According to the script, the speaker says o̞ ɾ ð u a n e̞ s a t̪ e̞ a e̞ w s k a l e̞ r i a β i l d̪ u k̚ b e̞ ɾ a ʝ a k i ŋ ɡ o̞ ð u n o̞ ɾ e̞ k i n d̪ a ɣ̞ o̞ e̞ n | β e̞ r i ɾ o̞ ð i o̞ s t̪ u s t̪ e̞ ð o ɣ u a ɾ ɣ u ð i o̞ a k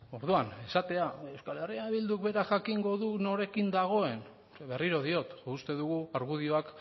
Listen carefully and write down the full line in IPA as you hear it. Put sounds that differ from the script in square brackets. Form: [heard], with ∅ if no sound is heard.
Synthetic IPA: o̞ ɾ ð u a n e̞ s a t̪ e̞ a e̞ w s k a l e̞ r i a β i l d̪ u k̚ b e̞ ɾ a ʝ a k i ŋ ɡ o̞ ð u n o̞ ɾ e̞ k i n d̪ a ɣ̞ o̞ e̞ n | β e̞ r i ɾ o̞ ð i o̞ [∅] t̪ u s t̪ e̞ ð [u] ɣ u a ɾ ɣ u ð i o̞ a k